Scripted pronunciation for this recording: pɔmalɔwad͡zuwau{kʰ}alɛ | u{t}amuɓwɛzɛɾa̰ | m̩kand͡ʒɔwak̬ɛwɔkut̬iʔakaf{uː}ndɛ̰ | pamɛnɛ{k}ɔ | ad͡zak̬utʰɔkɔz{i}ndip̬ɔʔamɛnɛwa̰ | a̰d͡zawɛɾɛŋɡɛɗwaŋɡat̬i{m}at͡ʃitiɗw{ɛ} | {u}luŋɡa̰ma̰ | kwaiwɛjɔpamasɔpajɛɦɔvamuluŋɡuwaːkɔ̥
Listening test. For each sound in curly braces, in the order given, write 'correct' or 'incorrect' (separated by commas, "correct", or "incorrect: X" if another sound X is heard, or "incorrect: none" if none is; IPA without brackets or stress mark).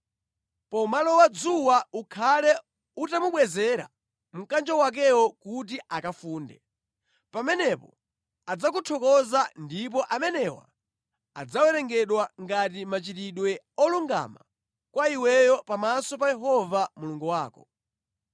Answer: correct, correct, correct, incorrect: p, incorrect: a, correct, correct, incorrect: ɔ